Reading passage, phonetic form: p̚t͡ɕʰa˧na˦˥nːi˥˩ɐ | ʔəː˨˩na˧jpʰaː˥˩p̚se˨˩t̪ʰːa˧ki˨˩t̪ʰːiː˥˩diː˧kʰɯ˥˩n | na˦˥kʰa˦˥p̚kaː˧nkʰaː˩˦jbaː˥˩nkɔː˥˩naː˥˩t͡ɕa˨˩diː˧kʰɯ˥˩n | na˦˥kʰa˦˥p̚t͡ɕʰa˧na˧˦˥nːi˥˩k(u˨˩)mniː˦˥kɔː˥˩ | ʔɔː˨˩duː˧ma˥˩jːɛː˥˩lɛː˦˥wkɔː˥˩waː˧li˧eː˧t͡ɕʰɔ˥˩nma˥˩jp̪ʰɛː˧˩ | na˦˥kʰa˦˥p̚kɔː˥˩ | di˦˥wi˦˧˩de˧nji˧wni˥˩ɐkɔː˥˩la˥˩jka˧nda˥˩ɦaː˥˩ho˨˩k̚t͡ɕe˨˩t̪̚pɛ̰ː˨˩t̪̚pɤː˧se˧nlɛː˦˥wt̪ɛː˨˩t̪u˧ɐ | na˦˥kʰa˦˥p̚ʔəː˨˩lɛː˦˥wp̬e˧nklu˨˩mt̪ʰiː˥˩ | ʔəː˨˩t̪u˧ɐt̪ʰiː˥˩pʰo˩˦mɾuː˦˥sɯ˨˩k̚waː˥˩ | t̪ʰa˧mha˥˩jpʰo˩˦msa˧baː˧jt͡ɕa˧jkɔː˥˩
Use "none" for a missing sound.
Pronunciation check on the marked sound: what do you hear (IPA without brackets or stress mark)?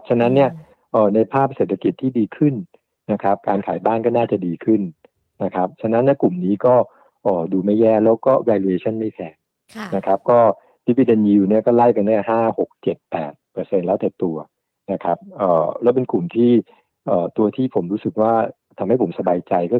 u˨˩